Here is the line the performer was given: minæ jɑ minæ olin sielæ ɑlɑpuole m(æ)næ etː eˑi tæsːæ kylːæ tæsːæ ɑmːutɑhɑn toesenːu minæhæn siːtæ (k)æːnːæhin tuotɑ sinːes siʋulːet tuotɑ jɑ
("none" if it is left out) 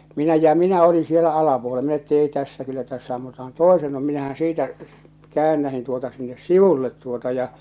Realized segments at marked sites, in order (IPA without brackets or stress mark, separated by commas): i, k